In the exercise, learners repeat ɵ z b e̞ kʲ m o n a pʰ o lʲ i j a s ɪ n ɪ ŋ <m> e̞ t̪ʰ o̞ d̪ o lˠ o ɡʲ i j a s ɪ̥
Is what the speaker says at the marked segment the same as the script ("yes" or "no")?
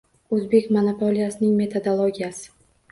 yes